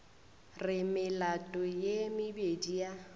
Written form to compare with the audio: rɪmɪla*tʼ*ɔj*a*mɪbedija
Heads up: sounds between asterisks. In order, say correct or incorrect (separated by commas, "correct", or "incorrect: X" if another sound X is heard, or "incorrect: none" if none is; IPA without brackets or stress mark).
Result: correct, incorrect: e